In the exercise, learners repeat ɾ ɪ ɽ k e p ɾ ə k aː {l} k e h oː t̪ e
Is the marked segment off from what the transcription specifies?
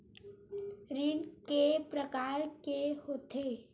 yes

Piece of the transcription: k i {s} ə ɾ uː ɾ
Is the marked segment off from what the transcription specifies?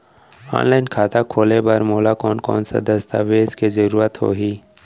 yes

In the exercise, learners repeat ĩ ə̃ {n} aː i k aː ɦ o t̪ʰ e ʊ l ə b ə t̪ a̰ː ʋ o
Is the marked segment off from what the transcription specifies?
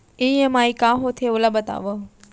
yes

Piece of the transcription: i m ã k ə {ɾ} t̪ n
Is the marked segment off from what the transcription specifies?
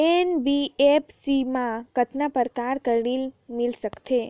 yes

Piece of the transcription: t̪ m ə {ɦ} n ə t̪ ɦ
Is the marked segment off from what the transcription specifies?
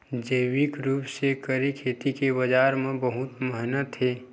no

